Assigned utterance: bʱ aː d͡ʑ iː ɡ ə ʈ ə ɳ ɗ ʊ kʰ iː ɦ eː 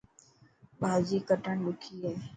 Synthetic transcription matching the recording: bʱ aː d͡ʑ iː k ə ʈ ə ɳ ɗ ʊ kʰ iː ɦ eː